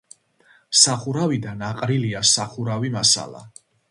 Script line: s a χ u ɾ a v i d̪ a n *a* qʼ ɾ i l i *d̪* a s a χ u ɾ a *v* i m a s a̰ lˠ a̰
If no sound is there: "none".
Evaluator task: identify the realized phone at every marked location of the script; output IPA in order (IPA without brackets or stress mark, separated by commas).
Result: a, none, v